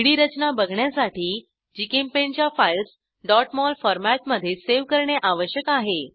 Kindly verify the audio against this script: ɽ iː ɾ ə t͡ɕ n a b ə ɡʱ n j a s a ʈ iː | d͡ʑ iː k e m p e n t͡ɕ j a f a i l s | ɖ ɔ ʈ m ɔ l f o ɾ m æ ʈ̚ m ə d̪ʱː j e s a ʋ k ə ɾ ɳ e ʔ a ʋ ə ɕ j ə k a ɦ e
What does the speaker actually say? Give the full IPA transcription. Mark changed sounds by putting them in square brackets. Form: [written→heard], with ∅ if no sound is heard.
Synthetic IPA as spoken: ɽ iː ɾ ə t͡ɕ n a b ə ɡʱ [n→ɳ] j a s a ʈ iː | d͡ʑ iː k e m p e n t͡ɕ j a f a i l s | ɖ ɔ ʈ m ɔ l f [o→ɔ] ɾ m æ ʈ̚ m ə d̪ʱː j e s [a→e] ʋ k ə ɾ ɳ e ʔ a ʋ ə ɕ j ə k a ɦ e